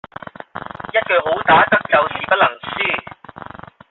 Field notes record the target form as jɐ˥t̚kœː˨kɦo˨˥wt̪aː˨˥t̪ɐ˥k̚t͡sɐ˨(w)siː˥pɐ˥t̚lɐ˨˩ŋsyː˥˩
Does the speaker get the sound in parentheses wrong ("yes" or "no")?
no